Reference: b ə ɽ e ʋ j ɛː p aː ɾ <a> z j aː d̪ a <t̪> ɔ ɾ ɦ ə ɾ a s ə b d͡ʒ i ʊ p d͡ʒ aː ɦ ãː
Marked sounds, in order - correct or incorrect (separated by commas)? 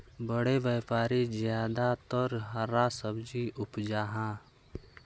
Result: incorrect, correct